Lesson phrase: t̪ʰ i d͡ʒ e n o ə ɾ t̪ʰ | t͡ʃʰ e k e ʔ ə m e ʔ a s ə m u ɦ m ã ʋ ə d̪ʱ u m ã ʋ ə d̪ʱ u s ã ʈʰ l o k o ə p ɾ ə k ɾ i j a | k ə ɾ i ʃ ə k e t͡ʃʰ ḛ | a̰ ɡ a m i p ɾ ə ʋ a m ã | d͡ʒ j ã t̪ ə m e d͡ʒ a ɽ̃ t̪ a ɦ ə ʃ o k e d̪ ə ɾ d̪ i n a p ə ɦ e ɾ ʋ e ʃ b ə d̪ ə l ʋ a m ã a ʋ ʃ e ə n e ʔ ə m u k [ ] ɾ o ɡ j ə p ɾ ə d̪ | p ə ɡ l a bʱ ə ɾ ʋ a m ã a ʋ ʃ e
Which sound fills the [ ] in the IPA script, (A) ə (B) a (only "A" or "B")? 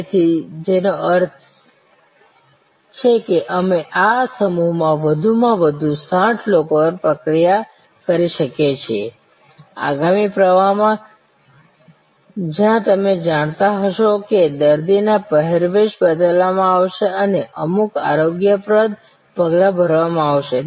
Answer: B